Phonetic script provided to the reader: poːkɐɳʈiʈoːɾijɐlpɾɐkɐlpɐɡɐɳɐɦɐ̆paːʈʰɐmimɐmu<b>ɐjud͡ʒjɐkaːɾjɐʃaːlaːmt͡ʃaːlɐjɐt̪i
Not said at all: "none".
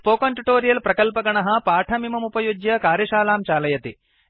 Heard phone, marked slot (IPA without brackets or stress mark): p